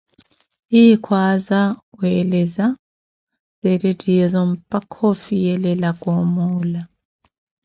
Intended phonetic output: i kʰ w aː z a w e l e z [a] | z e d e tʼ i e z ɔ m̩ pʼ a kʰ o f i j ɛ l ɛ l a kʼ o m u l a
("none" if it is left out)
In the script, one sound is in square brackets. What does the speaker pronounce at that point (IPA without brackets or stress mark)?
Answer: a